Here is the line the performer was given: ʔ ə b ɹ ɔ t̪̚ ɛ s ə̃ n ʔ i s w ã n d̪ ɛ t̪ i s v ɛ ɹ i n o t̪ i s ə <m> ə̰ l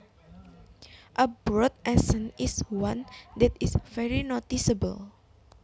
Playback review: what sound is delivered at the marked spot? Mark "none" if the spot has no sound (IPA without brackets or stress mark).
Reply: b